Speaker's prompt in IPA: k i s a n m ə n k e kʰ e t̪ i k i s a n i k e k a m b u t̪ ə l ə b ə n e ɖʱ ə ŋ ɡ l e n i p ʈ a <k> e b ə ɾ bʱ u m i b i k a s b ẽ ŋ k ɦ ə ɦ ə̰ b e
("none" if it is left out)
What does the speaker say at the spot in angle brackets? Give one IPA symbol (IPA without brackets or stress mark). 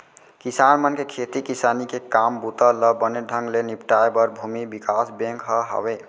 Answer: none